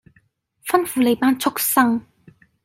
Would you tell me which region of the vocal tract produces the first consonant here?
lips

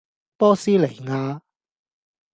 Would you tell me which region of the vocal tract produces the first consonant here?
lips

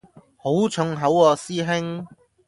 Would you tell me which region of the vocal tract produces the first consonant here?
throat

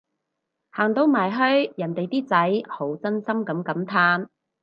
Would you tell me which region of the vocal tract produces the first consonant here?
throat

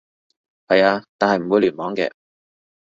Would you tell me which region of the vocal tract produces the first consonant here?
throat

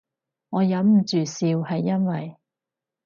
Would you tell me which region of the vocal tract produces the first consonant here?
velum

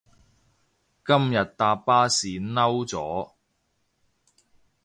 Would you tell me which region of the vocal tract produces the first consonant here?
velum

